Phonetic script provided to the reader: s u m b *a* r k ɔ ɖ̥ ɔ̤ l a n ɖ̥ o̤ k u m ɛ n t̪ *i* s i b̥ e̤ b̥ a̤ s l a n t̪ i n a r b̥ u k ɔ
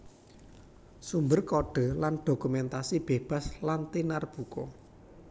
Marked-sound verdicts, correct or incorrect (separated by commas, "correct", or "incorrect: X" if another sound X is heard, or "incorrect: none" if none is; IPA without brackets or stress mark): incorrect: ə, incorrect: a